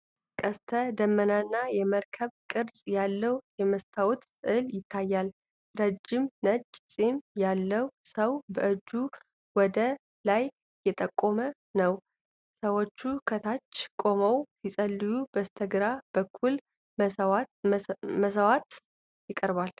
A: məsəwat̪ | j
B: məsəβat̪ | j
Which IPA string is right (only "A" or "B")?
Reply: A